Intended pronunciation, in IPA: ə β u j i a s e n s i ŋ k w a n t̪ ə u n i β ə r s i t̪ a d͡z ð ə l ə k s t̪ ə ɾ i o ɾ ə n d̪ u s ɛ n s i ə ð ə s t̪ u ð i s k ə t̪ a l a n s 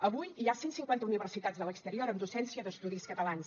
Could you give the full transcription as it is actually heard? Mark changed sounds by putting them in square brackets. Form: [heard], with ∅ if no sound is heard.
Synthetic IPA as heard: ə β u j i a s e n s i ŋ k w a n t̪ ə u n i β ə r s i t̪ a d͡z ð ə l ə k s t̪ ə ɾ i o ɾ ə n d̪ u s ɛ n s i ə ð ə s t̪ u ð i s k ə t̪ [ə] l a n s